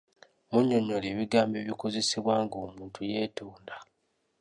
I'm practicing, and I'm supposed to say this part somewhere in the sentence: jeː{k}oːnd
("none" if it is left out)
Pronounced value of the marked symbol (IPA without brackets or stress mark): t